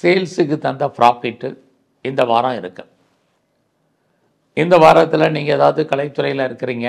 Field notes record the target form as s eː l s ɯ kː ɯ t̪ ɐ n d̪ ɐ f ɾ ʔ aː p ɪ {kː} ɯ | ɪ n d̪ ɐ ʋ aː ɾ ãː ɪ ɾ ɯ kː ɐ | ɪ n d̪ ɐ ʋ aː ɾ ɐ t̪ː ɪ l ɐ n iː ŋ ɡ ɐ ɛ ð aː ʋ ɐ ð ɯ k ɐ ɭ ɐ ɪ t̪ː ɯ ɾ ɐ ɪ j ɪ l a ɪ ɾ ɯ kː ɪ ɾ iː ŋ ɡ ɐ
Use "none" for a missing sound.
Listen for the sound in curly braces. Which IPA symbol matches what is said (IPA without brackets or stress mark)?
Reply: ʈː